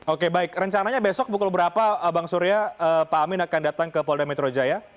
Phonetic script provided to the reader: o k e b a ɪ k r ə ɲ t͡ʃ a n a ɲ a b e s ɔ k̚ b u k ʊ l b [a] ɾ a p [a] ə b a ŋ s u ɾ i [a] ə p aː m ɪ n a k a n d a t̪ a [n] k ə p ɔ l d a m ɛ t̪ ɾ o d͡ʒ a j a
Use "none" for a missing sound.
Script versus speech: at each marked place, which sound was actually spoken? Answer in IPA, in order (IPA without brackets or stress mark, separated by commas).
ə, a, a, ŋ